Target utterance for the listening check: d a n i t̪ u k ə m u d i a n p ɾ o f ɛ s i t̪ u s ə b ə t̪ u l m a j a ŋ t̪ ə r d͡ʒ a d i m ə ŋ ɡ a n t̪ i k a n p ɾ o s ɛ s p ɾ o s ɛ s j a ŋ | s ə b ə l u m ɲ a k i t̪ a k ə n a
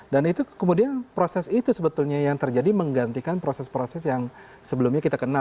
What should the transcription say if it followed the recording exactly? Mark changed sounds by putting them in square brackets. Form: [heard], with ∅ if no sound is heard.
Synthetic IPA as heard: d a n i t̪ u k ə m u d i a n p ɾ o [s] ɛ s i t̪ u s ə b ə t̪ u l [ɲ] a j a ŋ t̪ ə r d͡ʒ a d i m ə ŋ ɡ a n t̪ i k a n p ɾ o s ɛ s p ɾ o s ɛ s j a ŋ | s ə b ə l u m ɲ a k i t̪ a k ə n a